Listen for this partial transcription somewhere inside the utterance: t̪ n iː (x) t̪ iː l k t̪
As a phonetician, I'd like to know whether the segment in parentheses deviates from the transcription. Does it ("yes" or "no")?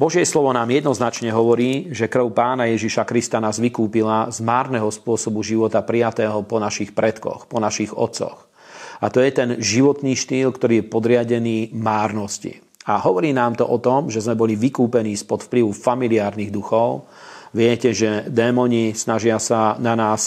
yes